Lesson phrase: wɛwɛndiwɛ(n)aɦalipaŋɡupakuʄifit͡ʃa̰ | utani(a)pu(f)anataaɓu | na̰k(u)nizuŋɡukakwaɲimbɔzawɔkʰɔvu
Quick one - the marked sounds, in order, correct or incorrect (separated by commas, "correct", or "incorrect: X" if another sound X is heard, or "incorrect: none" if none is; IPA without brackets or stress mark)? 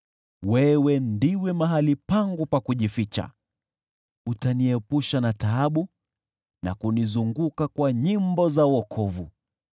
incorrect: m, incorrect: ɛ, incorrect: ʃ, correct